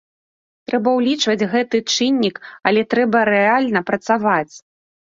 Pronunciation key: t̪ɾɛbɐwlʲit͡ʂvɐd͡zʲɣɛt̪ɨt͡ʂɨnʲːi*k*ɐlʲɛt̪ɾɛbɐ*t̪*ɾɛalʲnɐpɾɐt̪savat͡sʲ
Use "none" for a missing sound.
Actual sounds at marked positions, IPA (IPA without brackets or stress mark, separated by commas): k, none